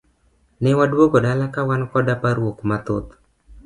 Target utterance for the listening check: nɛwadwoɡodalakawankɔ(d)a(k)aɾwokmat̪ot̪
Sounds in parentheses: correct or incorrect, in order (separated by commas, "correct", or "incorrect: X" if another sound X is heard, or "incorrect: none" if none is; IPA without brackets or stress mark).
correct, incorrect: p